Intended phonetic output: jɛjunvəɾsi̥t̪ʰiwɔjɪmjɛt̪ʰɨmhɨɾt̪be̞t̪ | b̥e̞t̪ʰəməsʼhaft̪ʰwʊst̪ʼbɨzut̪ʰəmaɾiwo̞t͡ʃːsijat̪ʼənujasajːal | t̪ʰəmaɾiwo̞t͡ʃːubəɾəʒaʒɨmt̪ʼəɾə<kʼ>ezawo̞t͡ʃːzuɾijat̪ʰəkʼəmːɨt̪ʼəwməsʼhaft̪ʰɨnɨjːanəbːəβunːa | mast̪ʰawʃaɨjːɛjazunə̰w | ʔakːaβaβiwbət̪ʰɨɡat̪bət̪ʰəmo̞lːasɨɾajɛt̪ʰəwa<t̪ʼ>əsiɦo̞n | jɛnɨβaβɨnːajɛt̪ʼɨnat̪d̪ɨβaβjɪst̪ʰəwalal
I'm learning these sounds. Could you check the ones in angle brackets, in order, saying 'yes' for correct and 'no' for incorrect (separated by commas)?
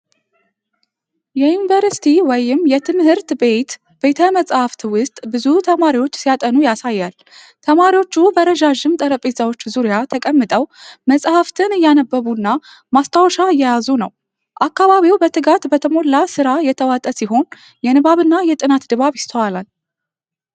no, yes